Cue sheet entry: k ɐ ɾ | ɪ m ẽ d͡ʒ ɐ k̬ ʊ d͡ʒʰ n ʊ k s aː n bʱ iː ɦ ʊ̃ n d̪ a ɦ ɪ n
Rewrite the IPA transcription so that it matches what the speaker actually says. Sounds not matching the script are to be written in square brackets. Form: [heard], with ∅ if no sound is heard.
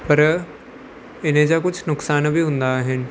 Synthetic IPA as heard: [p] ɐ ɾ | ɪ [n] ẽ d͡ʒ [a] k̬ ʊ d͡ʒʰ n ʊ k s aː n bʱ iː ɦ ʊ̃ n d̪ a ɦ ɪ n